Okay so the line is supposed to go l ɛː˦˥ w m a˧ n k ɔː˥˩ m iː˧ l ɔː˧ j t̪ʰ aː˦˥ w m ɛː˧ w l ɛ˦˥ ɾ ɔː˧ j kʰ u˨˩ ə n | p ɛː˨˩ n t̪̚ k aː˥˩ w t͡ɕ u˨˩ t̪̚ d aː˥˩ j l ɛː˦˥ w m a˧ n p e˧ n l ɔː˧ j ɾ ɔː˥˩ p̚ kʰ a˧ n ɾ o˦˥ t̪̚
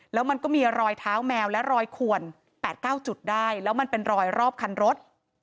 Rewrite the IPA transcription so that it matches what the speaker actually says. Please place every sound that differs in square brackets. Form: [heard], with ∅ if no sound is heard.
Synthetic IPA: l ɛː˦˥ w m a˧ n k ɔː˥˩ m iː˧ [ɾ] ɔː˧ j t̪ʰ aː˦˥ w m ɛː˧ w l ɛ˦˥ ɾ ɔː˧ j kʰ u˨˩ ə n | p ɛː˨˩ [∅] t̪̚ k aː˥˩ w t͡ɕ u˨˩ t̪̚ d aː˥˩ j l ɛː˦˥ w m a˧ n p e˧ n [ɾ] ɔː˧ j ɾ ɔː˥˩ p̚ kʰ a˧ n ɾ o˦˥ t̪̚